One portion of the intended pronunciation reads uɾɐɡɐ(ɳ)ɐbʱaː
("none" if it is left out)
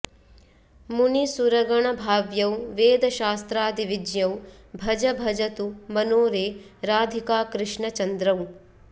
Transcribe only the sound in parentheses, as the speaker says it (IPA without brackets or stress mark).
ɳ